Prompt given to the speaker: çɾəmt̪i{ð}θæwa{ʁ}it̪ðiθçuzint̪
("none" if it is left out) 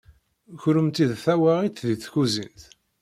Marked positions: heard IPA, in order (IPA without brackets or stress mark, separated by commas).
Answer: ð, ʁ